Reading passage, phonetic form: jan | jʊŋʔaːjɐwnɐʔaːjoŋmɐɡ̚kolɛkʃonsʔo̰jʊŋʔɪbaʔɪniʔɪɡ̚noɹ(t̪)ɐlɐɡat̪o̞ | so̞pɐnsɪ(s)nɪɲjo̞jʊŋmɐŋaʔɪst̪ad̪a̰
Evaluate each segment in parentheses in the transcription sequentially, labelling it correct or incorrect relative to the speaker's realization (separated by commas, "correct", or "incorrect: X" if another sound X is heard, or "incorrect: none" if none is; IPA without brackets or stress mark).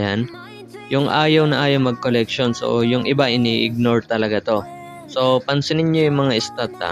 correct, incorrect: none